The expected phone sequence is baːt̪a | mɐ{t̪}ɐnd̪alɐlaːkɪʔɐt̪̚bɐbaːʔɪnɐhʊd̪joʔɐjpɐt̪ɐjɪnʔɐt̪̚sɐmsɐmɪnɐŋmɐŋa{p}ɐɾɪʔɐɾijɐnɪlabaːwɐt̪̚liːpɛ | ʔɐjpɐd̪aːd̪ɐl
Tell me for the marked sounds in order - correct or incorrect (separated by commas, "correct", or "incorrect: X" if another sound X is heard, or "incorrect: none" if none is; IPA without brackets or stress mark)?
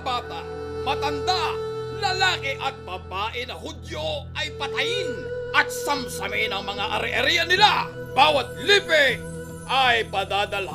correct, incorrect: ʔ